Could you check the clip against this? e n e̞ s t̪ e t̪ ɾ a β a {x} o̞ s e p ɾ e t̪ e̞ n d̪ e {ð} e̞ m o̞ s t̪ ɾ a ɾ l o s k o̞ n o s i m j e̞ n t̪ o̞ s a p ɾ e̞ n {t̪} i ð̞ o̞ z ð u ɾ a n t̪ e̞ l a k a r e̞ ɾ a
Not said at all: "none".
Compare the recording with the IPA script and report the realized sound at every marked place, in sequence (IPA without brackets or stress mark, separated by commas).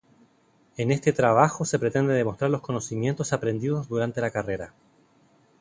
x, ð, d̪